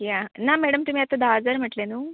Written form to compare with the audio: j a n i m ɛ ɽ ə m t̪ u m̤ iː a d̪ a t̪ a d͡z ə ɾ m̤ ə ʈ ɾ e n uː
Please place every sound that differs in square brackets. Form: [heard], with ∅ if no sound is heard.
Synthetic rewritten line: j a n [a] m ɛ ɽ ə m t̪ u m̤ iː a [t̪] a [d̪] a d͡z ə ɾ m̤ ə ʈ [l] e n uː